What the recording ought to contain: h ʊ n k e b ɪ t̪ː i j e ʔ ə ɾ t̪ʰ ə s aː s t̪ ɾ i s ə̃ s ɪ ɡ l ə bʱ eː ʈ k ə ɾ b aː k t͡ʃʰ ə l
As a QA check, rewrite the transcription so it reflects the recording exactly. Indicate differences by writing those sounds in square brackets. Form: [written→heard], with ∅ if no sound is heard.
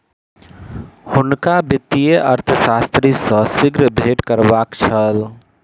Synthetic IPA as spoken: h ʊ n k [e→a] b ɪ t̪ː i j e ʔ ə ɾ t̪ʰ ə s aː s t̪ ɾ i s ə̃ s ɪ ɡ [l→ɾ] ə bʱ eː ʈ k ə ɾ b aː k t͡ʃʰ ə l